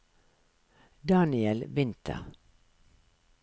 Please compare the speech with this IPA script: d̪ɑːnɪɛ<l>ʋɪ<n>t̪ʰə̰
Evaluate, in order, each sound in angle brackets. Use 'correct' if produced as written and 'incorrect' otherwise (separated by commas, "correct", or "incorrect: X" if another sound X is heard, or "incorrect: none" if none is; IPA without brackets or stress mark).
correct, correct